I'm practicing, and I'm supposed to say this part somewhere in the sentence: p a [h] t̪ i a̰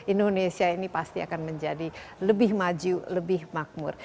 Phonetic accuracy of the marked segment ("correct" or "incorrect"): incorrect